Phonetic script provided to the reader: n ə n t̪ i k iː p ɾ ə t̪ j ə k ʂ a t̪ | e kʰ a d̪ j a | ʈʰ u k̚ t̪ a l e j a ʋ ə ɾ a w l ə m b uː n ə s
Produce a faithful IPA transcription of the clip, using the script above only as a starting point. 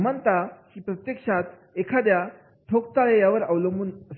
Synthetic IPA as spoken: m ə n t̪ a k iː p ɾ ə t̪ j ə k ʂ a t̪ | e kʰ a d̪ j a | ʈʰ o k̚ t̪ a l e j a ʋ ə ɾ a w l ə m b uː n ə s